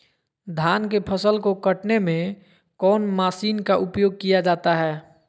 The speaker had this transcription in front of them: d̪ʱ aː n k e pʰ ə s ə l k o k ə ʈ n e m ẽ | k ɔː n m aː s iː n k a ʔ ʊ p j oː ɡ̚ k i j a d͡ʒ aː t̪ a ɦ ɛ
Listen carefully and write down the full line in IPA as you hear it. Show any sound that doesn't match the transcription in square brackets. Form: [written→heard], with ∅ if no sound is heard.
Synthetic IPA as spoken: d̪ʱ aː n k e pʰ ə s ə l k o k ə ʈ n e m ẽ | k ɔː n m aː s iː n k a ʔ ʊ p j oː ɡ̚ k i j a d͡ʒ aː t̪ a ɦ [ɛ→ɛː]

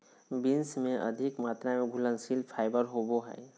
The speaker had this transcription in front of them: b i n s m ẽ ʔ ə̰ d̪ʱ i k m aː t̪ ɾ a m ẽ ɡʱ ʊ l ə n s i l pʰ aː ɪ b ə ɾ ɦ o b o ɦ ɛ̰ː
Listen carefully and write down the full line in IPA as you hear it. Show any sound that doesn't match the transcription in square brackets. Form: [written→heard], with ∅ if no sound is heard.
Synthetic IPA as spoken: b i n s m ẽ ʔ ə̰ d̪ʱ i k m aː t̪ ɾ a m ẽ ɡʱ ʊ l ə n s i l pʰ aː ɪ b ə ɾ ɦ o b o ɦ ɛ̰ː

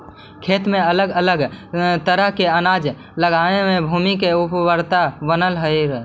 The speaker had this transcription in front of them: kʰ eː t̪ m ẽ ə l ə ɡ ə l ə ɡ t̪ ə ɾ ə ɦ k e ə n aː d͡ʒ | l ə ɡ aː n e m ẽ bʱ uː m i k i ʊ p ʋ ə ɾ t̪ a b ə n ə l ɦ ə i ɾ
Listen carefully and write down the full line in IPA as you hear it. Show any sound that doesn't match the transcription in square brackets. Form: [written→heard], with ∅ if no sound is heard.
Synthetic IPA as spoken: kʰ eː t̪ m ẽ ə l ə ɡ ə l ə ɡ t̪ ə ɾ ə ɦ k e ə n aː d͡ʒ | l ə ɡ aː n e m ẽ bʱ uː m i k [i→e] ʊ p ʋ ə ɾ t̪ a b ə n ə l ɦ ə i ɾ

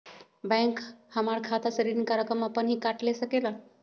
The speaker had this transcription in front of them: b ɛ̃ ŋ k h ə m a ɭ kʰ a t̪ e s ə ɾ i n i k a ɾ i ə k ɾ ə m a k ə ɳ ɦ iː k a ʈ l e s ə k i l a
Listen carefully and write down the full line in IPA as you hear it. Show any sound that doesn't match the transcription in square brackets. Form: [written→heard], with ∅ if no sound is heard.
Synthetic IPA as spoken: b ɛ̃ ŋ k h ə m a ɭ kʰ a t̪ [e→a] s ə ɾ i n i k a ɾ [i→j] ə k ɾ ə m a [k→p] ə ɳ ɦ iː k a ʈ l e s ə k [i→e] l a

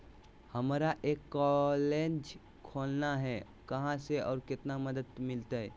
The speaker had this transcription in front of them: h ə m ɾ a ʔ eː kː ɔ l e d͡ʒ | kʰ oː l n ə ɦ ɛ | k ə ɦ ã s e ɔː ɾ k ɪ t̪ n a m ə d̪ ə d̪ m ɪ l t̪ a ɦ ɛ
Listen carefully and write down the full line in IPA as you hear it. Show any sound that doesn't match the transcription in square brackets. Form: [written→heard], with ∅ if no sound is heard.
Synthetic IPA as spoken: h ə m ɾ a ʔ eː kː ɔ l e d͡ʒ | kʰ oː l n [ə→a] ɦ ɛ | k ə ɦ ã s e ɔː ɾ k ɪ t̪ n a m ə d̪ ə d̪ m ɪ l t̪ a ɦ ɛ

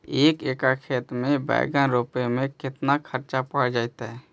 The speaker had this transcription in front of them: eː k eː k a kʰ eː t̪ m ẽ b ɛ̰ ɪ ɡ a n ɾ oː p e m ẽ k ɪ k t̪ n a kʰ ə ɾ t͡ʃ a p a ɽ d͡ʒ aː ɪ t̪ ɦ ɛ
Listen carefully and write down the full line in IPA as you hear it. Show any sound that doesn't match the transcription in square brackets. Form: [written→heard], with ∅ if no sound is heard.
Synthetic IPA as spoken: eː k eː k a kʰ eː t̪ m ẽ b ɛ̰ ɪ ɡ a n ɾ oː p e m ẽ k ɪ [k→∅] t̪ n a kʰ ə ɾ t͡ʃ a p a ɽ d͡ʒ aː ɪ t̪ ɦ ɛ

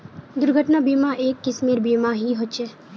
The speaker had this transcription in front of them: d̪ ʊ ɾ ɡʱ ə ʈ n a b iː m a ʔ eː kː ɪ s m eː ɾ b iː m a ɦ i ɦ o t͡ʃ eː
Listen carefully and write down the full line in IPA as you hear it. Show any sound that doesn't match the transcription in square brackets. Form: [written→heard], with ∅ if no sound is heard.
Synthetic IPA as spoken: d̪ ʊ ɾ ɡʱ ə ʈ n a b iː m a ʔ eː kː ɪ s m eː ɾ b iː m a ɦ i ɦ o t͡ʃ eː

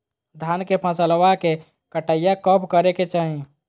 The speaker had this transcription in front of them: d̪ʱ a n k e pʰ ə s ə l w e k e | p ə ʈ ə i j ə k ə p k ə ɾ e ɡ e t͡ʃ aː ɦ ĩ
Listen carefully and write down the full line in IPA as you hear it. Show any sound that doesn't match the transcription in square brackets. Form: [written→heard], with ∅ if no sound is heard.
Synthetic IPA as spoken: d̪ʱ a n k e pʰ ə s ə l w [e→a] k e | [p→k] ə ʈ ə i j [ə→a] k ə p k ə ɾ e [ɡ→k] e t͡ʃ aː ɦ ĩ

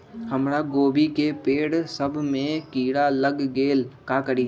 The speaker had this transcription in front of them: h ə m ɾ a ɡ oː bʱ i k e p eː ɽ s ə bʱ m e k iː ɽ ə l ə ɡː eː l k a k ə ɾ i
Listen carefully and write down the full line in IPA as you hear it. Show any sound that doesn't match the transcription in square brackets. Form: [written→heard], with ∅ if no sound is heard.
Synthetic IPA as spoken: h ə m ɾ a ɡ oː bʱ i k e p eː ɽ s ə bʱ m [e→ẽ] k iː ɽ [ə→a] l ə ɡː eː l k a k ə ɾ i

